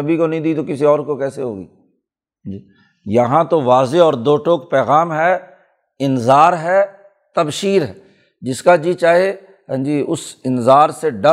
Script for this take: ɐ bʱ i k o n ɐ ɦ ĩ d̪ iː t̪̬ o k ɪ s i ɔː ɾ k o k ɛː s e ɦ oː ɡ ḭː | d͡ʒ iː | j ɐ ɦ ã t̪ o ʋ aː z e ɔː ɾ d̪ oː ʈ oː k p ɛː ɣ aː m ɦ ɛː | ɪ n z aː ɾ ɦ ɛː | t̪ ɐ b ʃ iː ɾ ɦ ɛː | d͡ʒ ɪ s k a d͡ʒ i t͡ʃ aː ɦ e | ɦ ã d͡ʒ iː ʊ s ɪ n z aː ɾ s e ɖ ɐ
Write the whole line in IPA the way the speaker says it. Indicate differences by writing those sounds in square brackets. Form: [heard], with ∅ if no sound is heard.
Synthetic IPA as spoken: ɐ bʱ i k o n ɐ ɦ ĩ d̪ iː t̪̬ o k ɪ s i ɔː ɾ k o k ɛː s e ɦ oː ɡ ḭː | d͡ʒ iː | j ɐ ɦ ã t̪ o ʋ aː z e ɔː ɾ d̪ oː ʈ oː k p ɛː ɣ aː m ɦ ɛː | ɪ n z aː ɾ ɦ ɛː | t̪ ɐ b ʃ iː ɾ ɦ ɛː | d͡ʒ ɪ s k a d͡ʒ i t͡ʃ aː ɦ e | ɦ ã d͡ʒ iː ʊ s ɪ n z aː ɾ s e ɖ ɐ